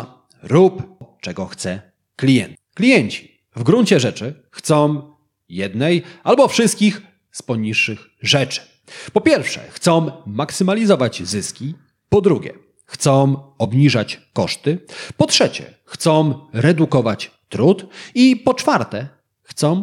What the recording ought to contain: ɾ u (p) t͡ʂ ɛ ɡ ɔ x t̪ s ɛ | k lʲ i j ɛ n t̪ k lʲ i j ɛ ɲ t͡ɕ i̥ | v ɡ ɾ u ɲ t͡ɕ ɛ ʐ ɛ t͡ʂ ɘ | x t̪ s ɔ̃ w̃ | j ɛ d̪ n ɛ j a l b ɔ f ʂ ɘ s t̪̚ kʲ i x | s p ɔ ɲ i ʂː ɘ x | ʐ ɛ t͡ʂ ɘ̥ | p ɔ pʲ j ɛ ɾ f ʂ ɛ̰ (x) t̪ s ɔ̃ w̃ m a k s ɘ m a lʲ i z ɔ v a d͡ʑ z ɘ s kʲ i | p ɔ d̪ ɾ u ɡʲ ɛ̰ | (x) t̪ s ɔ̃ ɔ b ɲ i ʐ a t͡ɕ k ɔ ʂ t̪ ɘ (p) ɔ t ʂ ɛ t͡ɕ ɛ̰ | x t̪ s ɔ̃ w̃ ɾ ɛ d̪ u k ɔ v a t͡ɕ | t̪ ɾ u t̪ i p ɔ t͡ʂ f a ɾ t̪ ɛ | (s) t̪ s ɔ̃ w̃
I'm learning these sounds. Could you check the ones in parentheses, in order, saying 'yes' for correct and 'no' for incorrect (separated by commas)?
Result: yes, yes, yes, yes, no